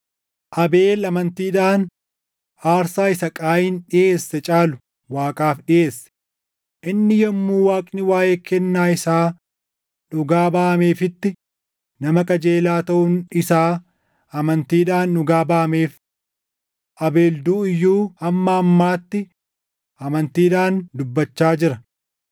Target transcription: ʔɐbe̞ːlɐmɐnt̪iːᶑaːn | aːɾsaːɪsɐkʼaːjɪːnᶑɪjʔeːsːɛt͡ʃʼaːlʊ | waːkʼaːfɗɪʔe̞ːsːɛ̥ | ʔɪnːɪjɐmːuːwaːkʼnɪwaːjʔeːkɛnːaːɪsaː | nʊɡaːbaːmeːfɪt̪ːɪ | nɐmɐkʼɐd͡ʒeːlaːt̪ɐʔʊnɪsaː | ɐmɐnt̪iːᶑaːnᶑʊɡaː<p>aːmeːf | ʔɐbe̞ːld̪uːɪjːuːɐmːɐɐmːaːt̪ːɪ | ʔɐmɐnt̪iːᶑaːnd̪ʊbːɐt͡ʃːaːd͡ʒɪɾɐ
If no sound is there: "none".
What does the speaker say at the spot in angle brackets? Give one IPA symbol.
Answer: b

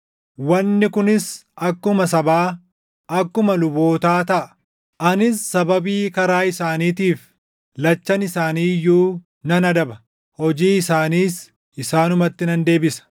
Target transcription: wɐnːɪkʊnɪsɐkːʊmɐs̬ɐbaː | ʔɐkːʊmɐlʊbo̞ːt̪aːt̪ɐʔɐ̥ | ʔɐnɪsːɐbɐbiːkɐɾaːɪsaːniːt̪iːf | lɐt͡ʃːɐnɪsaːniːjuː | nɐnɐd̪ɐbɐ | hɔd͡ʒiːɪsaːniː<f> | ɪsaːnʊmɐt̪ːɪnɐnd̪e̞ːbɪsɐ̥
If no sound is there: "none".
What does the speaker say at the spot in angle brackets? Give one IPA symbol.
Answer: s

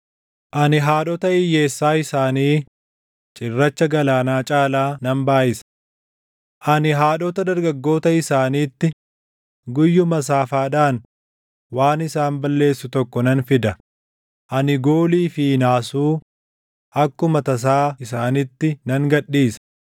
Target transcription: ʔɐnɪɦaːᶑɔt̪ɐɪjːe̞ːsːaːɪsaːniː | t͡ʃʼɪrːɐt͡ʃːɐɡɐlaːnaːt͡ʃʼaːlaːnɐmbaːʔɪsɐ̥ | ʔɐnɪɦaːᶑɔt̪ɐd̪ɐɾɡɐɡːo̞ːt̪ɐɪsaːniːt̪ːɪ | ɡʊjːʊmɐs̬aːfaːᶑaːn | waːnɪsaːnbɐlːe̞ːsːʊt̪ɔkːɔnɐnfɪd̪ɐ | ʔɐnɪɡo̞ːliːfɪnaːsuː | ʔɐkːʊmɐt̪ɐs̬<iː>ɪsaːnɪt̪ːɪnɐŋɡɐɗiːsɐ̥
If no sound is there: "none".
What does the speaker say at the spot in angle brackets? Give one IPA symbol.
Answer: aː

